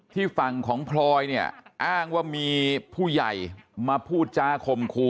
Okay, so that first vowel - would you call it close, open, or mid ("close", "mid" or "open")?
close